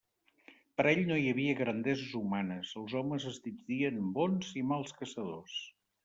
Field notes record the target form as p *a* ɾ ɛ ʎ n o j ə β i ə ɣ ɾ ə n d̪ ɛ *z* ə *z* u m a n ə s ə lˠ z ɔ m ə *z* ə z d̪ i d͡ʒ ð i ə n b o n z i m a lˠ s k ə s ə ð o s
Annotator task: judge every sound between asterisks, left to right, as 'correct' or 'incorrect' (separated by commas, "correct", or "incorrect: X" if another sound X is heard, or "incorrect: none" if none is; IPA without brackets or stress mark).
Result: incorrect: ə, correct, correct, correct